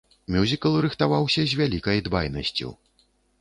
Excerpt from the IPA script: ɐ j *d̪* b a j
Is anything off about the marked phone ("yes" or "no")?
no